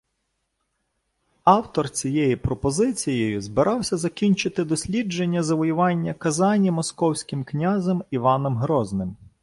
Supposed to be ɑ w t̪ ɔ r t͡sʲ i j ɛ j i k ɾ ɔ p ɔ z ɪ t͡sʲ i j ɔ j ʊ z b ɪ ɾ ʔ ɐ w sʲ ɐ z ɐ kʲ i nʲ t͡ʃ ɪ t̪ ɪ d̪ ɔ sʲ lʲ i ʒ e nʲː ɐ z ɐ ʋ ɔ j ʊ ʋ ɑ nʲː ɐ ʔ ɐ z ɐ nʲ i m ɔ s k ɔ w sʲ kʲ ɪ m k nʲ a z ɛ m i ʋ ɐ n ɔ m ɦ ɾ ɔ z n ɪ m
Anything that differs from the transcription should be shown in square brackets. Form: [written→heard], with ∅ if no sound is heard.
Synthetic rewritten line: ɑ w t̪ ɔ r t͡sʲ i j ɛ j i [k→p] ɾ ɔ p ɔ z ɪ t͡sʲ i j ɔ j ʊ z b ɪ ɾ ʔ [ɐ→ɑ] w sʲ ɐ z ɐ kʲ i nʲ t͡ʃ ɪ t̪ ɪ d̪ ɔ sʲ lʲ i [ʒ→d͡ʒ] e nʲː ɐ z ɐ ʋ ɔ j ʊ ʋ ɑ nʲː ɐ [ʔ→k] ɐ z [ɐ→ɑ] nʲ i m ɔ s k ɔ w sʲ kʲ ɪ m k nʲ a z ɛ m i ʋ [ɐ→ɑ] n ɔ m ɦ ɾ ɔ z n ɪ m